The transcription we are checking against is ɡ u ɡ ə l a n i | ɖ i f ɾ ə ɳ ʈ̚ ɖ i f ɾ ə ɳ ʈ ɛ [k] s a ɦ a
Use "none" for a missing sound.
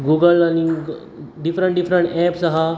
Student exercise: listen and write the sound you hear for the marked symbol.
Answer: p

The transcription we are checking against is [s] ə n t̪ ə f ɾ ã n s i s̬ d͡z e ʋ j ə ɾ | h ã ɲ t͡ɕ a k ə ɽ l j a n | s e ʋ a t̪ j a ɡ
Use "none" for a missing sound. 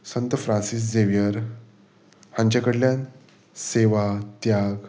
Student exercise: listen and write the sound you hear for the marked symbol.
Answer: s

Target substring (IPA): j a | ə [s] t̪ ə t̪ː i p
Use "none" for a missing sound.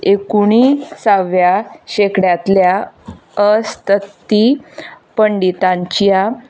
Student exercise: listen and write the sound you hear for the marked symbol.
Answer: s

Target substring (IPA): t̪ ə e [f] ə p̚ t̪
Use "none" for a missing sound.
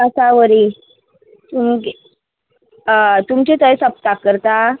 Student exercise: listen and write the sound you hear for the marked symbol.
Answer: s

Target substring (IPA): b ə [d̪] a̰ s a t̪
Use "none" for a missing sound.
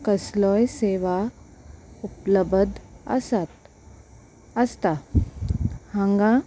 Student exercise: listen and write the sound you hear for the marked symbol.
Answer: d̪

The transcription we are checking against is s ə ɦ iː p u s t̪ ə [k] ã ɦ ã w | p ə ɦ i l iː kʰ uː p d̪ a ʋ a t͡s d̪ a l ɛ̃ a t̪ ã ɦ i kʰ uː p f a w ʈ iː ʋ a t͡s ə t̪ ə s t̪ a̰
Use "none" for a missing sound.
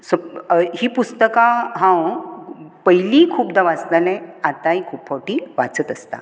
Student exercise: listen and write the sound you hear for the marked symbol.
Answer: k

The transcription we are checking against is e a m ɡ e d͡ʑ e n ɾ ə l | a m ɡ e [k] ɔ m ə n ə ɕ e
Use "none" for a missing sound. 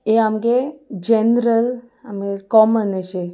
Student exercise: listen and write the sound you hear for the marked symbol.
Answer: k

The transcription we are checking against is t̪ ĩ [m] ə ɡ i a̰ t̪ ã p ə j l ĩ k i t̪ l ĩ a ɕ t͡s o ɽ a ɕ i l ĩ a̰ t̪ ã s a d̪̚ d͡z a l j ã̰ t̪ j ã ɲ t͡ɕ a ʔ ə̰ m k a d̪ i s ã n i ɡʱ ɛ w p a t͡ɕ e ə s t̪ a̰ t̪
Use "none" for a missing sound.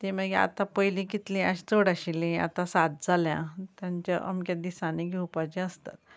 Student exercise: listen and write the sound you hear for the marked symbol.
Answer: m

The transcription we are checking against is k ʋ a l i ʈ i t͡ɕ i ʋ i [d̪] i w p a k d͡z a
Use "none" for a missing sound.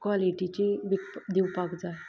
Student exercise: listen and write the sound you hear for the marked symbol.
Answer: d̪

